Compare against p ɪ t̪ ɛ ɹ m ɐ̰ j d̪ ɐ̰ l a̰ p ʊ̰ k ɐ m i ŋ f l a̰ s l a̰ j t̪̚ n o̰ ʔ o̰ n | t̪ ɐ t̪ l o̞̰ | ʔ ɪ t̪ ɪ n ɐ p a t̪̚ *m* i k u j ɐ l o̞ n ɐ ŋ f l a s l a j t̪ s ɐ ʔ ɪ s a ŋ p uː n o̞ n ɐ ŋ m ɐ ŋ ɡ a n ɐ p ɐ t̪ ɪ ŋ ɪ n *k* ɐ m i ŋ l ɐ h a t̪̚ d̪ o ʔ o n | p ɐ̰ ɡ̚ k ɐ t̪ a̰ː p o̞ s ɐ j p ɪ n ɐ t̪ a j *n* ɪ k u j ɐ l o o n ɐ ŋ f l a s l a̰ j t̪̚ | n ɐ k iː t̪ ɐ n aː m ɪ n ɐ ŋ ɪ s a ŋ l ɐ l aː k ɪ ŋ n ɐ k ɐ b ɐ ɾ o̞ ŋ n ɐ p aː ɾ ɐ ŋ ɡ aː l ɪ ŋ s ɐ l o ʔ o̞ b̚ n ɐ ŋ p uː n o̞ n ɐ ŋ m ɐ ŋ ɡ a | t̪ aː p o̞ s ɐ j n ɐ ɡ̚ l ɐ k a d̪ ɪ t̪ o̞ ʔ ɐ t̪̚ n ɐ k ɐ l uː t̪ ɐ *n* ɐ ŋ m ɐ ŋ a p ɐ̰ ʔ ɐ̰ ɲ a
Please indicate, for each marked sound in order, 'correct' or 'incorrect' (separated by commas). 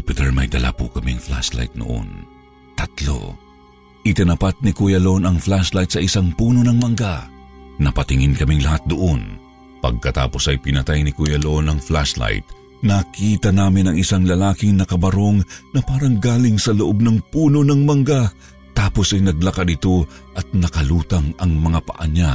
incorrect, correct, correct, incorrect